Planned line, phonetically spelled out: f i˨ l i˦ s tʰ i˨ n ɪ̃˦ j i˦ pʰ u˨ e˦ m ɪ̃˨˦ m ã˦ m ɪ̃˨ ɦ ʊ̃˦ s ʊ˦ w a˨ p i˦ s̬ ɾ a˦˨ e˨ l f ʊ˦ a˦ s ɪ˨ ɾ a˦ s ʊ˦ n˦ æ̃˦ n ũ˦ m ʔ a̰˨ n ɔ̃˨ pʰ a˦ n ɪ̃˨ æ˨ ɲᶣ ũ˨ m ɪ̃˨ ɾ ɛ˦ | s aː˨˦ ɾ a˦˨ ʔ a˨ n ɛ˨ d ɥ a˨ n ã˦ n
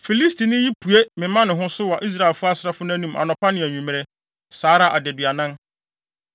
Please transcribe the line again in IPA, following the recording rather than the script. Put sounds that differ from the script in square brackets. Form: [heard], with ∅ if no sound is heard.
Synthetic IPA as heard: f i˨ l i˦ s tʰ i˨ n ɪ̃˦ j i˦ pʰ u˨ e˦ m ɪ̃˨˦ m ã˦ [n] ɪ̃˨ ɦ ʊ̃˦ s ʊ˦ w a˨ [ʔ] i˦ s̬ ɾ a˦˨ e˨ l f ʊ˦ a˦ s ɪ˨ ɾ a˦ [f] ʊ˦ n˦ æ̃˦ n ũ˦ m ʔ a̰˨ n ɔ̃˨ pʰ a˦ n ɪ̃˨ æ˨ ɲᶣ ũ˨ m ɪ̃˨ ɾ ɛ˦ | s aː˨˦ ɾ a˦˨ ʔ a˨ [d] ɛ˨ d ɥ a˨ n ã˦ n